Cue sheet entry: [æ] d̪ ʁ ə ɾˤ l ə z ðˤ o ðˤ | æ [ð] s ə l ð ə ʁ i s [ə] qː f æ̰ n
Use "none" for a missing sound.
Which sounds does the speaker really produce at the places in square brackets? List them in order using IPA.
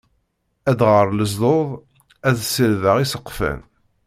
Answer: æ, ð, ə

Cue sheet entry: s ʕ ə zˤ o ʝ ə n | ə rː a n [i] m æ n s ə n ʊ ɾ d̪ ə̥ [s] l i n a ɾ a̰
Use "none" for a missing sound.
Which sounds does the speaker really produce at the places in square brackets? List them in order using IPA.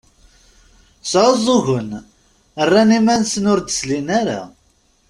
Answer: i, s

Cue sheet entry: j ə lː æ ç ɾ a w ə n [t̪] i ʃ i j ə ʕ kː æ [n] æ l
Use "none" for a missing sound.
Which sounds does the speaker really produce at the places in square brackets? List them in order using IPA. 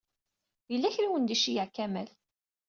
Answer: d̪, m

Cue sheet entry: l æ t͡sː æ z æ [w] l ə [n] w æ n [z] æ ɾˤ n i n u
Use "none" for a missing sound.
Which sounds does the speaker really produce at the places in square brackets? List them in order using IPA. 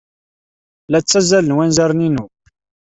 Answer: none, n, z

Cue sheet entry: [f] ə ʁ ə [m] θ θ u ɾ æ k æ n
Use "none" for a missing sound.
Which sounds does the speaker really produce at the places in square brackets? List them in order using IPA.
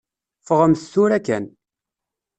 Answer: f, m

